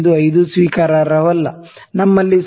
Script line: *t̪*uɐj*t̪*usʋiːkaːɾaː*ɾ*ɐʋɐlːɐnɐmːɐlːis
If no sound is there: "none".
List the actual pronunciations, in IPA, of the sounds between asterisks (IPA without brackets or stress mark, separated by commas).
d̪, d̪, ɾ